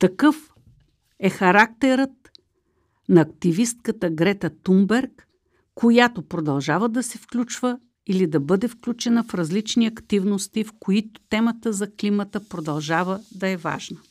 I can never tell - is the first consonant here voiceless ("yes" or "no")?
yes